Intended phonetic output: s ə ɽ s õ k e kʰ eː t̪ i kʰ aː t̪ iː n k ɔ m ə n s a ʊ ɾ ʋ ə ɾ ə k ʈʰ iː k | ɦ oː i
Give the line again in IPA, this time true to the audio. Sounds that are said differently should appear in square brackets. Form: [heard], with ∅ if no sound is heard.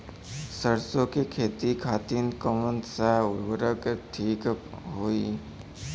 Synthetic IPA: s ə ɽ s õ k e kʰ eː t̪ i kʰ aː t̪ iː n k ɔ m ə n s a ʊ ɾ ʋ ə ɾ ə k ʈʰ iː k | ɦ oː i